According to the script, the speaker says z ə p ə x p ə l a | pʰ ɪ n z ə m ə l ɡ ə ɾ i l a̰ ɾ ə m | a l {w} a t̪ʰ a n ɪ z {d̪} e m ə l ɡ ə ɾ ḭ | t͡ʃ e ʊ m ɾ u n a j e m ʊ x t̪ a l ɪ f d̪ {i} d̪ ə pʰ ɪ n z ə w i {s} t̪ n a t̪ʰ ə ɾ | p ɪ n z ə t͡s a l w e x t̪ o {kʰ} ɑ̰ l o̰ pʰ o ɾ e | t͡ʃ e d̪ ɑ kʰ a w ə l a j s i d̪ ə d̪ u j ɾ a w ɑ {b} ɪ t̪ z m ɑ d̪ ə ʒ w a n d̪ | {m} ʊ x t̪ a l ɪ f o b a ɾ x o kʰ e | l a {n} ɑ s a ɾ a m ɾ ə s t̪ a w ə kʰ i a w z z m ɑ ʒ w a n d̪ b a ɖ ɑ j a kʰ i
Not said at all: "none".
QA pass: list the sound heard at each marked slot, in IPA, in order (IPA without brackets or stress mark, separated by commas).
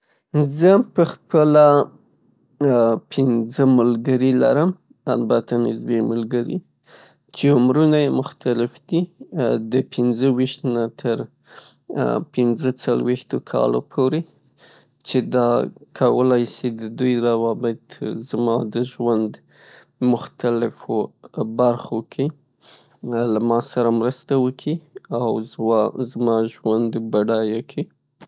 b, d̪, i, ʃ, kʰ, b, m, m